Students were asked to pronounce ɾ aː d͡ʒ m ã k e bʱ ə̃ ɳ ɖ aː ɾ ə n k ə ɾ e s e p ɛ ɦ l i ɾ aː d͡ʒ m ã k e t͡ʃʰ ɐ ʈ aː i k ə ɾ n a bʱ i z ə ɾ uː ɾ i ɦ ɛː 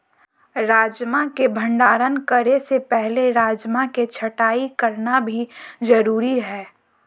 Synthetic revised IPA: ɾ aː d͡ʒ m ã k e bʱ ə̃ ɳ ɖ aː ɾ ə n k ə ɾ e s e p ɛ ɦ l e ɾ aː d͡ʒ m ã k e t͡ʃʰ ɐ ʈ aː i k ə ɾ n a bʱ i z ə ɾ uː ɾ i ɦ ɛː